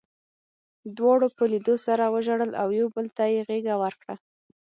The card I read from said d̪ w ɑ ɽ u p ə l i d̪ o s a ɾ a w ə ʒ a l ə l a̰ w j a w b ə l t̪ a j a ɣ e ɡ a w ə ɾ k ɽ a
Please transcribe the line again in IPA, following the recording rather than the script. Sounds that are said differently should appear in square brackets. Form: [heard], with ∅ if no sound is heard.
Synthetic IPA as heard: d̪ w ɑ ɽ [o] p ə l i d̪ o s a ɾ a w ə ʒ a [ɽ] ə l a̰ w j a w b ə l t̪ a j [e] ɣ e ɡ a w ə ɾ k ɽ a